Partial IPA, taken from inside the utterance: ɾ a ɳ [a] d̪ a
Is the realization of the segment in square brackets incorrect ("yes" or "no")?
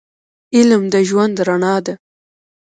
yes